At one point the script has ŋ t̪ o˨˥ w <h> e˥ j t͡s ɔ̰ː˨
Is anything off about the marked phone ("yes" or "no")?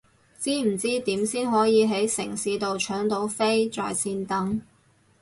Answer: yes